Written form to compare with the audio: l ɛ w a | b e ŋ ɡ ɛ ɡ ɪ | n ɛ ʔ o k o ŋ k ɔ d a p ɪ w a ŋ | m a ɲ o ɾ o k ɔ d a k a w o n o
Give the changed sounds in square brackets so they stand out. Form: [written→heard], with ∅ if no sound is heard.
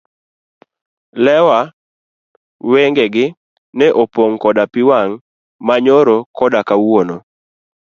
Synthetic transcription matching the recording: l ɛ w a | [b→w] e ŋ ɡ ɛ ɡ ɪ | n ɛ ʔ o [k→p] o ŋ k ɔ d a p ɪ w a ŋ | m a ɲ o ɾ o k ɔ d a k a w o n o